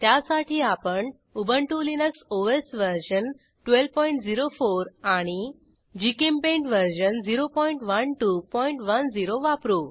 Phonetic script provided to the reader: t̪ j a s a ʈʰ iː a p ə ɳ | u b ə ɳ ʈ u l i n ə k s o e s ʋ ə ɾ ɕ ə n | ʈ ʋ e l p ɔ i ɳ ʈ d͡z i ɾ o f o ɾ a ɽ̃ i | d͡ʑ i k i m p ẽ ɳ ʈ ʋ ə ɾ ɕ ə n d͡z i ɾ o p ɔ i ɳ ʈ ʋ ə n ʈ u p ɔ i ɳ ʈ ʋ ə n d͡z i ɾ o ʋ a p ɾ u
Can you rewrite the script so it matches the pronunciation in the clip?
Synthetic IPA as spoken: t̪ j a s a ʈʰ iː a p ə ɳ | u b ə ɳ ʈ u l i n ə k s o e s ʋ ə ɾ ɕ ə n | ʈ ʋ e l p ɔ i ɳ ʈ d͡z i ɾ o f o ɾ a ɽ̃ i | d͡ʑ i k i m p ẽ ɳ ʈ ʋ ə ɾ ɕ ə n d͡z i ɾ o p ɔ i ɳ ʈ ʋ ə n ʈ u p ɔ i ɳ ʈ ʋ ə n d͡z i ɾ o ʋ a p ɾ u